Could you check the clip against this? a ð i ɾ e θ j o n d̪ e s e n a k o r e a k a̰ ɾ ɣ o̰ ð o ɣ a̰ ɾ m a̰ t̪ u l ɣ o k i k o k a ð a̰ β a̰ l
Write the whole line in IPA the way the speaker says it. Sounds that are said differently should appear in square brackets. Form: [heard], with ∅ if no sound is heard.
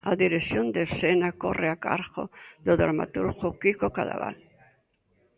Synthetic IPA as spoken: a ð i ɾ e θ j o n d̪ e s e n a k o r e a k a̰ ɾ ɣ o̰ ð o [ð] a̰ ɾ m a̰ t̪ u [ɾ] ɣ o k i k o k a ð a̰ β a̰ l